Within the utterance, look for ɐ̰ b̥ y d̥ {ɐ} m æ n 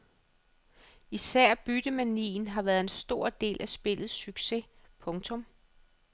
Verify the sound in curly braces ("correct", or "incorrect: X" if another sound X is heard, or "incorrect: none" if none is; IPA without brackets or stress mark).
incorrect: ə